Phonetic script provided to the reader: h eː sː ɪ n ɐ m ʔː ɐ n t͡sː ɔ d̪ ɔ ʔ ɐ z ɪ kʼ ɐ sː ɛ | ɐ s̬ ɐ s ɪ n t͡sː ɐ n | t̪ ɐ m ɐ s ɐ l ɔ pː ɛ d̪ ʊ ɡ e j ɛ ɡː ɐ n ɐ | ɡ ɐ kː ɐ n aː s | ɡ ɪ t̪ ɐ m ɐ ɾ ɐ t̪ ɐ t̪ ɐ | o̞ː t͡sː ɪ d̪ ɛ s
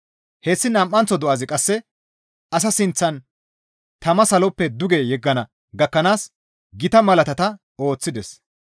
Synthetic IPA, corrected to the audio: h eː sː ɪ n ɐ m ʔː ɐ n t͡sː ɔ d̪ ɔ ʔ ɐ z ɪ kʼ ɐ sː ɛ | ɐ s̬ ɐ s ɪ n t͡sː ɐ n | t̪ ɐ m ɐ s ɐ l ɔ pː ɛ d̪ ʊ ɡ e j ɛ ɡː ɐ n ɐ | ɡ ɐ kː ɐ n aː s | ɡ ɪ t̪ ɐ m ɐ l ɐ t̪ ɐ t̪ ɐ | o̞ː t͡sː ɪ d̪ ɛ s